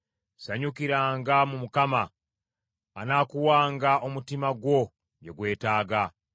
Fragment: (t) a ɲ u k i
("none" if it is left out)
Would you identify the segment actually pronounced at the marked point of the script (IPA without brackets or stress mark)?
s